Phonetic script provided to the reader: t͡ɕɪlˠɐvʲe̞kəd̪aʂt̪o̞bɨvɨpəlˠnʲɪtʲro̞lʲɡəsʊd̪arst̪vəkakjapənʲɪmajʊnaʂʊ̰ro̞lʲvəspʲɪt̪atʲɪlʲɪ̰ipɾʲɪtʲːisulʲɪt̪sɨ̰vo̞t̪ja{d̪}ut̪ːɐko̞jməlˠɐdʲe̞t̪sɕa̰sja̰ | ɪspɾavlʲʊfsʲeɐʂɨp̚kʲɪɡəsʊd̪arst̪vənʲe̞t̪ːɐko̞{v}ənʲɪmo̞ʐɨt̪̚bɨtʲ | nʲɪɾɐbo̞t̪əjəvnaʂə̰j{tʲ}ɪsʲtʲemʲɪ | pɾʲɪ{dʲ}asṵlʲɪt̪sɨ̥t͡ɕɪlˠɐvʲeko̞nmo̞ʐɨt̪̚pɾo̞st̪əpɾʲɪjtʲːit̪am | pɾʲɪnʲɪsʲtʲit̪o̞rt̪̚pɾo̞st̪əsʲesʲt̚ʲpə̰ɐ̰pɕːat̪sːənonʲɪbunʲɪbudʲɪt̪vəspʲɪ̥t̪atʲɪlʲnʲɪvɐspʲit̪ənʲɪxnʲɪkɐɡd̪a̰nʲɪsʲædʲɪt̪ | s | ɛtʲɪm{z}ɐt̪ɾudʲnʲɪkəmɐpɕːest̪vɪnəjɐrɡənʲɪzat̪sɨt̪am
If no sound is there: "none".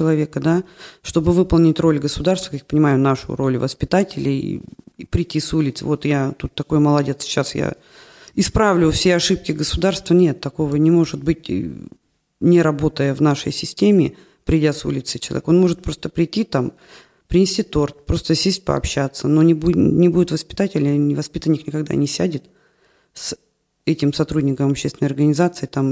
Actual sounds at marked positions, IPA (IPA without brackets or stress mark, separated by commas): t̪, v, sʲ, dʲ, s